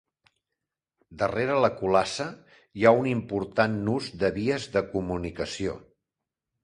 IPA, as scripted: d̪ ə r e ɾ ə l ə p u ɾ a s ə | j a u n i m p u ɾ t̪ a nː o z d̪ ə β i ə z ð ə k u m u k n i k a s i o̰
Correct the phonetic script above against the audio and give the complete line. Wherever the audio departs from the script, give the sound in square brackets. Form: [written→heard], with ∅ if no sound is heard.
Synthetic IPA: d̪ ə r e ɾ ə l ə [p→k] u [ɾ→l] a s ə | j a u n i m p u ɾ t̪ a nː [o→u] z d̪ ə β i ə z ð ə k u m u [k→∅] n i k [a→ə] s i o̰